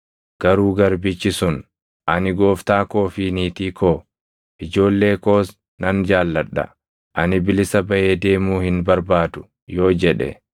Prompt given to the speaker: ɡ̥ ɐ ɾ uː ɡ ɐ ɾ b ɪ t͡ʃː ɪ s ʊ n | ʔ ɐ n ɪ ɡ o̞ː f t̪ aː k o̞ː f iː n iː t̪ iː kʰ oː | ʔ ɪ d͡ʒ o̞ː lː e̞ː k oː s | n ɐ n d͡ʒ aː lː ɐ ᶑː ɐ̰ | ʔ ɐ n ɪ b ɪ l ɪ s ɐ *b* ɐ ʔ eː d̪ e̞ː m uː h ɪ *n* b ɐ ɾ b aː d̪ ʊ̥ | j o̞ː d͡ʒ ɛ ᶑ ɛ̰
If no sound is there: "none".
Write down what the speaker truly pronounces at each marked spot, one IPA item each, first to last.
b, n

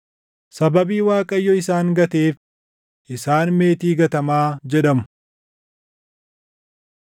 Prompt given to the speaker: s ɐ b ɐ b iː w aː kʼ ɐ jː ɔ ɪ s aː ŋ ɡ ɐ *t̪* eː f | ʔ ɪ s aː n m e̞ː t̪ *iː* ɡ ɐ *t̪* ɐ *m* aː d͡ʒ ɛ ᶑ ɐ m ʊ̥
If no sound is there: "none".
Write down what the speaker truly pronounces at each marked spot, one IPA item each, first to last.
t̪, iː, t̪, m

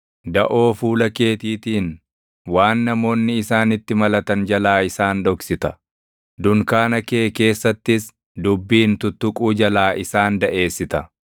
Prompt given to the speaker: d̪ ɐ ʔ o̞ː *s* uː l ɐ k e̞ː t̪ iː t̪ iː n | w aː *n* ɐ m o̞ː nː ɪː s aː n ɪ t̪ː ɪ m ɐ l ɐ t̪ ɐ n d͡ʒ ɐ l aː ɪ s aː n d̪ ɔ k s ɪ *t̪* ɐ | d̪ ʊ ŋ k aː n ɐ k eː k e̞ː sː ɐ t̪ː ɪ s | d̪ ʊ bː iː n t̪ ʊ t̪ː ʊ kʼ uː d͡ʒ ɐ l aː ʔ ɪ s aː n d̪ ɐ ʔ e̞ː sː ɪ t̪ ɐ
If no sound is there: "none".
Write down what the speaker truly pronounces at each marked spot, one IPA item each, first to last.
f, nː, t̪

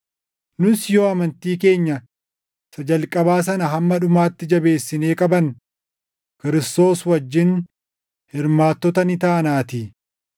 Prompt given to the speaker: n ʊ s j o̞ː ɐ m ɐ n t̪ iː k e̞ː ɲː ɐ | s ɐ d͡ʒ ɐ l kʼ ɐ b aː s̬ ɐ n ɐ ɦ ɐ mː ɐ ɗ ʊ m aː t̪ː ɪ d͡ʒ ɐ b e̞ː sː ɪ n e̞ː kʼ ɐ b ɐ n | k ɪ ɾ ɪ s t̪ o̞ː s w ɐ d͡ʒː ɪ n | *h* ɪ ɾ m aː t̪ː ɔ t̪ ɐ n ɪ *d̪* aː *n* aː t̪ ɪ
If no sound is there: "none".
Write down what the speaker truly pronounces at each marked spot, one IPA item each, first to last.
h, t̪, n

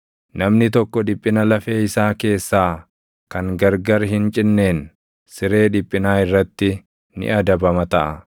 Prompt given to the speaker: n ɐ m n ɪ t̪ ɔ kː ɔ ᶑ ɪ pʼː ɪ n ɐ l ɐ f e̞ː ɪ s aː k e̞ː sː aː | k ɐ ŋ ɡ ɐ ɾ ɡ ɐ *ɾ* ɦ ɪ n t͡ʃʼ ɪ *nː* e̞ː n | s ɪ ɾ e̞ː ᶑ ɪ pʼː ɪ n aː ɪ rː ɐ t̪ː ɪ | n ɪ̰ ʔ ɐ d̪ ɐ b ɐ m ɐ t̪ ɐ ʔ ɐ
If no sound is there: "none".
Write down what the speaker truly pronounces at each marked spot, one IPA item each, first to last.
ɾ, nː

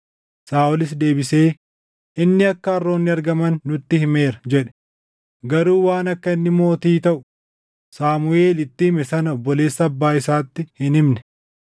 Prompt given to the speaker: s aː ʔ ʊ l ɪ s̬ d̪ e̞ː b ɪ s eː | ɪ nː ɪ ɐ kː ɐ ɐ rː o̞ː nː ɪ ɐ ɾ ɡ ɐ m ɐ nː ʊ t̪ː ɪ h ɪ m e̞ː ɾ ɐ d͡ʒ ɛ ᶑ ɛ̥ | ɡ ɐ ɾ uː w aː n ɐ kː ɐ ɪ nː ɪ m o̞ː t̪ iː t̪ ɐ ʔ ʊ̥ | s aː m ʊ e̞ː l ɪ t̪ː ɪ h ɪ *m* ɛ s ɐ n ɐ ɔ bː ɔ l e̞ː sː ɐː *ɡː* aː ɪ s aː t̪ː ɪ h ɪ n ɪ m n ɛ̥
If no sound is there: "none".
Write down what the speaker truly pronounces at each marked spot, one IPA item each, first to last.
m, bː

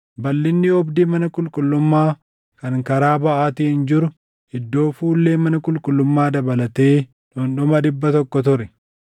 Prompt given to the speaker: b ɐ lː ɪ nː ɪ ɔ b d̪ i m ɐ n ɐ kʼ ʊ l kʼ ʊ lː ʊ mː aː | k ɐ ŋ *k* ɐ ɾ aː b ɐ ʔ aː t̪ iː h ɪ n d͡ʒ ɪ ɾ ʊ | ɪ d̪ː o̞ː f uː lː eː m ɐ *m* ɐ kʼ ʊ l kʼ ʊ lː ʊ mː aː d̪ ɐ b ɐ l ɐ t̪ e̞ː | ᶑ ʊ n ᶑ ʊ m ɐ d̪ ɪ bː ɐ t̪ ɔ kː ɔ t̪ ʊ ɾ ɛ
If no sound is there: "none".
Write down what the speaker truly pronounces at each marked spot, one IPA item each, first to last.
k, n

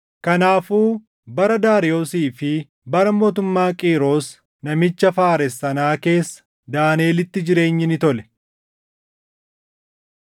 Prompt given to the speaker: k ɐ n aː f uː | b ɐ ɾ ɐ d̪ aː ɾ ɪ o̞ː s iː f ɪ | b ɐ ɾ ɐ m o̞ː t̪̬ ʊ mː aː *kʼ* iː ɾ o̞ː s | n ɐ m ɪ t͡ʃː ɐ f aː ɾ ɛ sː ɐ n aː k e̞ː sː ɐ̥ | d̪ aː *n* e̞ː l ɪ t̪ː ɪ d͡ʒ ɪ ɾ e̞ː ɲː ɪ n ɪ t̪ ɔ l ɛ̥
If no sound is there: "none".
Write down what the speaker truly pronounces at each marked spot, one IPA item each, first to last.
kʼ, n

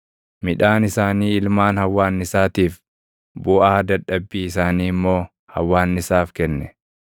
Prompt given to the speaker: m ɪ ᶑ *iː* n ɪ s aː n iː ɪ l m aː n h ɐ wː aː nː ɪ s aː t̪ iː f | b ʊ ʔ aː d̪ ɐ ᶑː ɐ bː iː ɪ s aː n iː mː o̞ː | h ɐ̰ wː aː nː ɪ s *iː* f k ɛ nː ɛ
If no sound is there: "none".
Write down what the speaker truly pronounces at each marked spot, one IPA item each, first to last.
aː, aː

